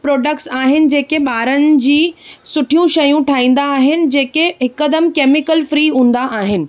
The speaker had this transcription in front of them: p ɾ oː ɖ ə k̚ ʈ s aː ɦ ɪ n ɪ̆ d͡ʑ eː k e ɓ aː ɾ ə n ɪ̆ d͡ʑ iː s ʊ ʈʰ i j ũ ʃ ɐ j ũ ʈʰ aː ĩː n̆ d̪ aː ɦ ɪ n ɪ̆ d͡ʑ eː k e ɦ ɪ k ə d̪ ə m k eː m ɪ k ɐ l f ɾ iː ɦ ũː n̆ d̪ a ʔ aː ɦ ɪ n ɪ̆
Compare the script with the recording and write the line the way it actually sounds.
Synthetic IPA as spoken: p ɾ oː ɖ ə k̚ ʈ s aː ɦ ɪ n ɪ̆ d͡ʑ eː k e ɓ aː ɾ ə n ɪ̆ d͡ʑ iː s ʊ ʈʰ i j ũ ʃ ɐ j ũ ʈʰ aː ĩː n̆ d̪ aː ɦ ɪ n ɪ̆ d͡ʑ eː k e ɦ ɪ k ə d̪ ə m k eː m ɪ k ə l f ɾ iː ɦ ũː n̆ d̪ a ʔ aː ɦ ɪ n ɪ̆